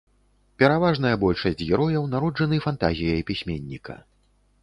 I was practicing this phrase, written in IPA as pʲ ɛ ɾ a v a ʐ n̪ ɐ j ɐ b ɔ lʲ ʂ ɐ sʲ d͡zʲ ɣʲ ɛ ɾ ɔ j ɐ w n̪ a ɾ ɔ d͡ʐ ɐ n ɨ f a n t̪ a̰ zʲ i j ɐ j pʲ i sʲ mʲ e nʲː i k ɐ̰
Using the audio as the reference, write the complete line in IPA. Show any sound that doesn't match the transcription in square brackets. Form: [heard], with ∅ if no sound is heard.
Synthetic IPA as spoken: pʲ ɛ ɾ a v a ʐ n̪ ɐ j ɐ b ɔ lʲ ʂ ɐ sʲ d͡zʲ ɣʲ ɛ ɾ ɔ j ɐ w n̪ a ɾ ɔ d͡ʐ ɐ n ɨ f a n t̪ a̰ zʲ i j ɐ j pʲ i sʲ mʲ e nʲː i k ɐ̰